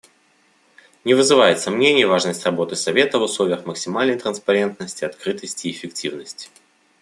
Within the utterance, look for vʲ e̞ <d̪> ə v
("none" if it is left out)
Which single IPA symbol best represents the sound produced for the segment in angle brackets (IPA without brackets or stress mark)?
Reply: t̪